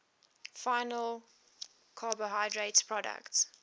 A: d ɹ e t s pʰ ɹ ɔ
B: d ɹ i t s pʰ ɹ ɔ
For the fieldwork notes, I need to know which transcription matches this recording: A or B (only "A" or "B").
A